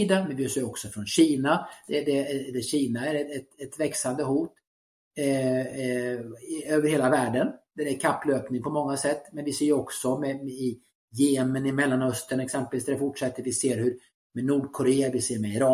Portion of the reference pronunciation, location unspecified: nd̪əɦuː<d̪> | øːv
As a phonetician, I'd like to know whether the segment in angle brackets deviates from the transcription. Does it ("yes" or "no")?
yes